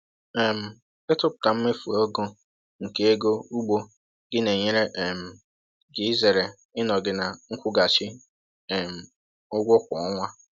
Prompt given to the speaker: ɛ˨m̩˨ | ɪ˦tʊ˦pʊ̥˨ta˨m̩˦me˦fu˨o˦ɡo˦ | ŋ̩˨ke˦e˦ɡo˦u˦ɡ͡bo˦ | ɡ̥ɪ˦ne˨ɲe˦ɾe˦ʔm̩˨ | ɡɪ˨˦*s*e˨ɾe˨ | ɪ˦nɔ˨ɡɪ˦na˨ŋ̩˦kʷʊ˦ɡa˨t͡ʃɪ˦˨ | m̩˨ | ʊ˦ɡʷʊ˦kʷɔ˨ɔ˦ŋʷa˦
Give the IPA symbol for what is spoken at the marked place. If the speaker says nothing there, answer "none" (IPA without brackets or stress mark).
z